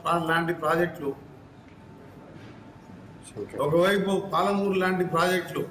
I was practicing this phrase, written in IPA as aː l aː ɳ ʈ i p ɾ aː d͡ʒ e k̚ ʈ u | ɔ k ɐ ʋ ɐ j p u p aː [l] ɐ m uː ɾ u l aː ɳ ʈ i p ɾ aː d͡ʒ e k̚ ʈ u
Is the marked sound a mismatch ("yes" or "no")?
no